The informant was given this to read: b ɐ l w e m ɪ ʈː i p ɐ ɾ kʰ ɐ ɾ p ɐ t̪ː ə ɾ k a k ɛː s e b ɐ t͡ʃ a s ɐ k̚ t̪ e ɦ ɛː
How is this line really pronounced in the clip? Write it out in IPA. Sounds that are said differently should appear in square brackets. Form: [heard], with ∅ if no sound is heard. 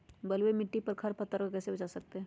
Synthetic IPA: b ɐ l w e m ɪ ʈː i p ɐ ɾ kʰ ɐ ɾ p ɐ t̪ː ə ɾ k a k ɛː s e b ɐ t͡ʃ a s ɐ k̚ t̪ e ɦ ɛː